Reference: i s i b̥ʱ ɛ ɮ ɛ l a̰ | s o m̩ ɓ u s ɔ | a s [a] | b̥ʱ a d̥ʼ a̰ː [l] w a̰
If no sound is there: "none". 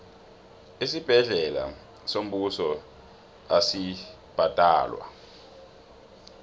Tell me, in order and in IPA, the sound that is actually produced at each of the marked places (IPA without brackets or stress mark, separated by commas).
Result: i, l